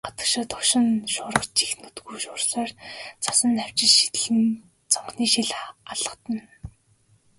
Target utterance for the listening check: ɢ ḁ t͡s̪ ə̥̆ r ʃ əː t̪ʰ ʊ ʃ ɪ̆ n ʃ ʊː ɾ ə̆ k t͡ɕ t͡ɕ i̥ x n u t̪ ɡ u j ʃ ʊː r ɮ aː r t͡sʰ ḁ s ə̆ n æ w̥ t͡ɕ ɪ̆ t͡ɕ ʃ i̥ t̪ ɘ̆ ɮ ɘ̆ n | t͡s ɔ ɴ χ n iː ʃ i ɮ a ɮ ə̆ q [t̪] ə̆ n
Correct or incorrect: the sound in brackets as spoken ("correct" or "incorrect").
correct